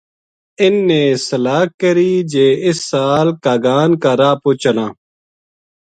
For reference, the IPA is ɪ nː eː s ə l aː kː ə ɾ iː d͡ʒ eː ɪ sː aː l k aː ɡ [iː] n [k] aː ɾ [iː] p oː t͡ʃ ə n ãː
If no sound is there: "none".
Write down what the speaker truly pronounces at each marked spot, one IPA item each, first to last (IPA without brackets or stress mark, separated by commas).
aː, k, aː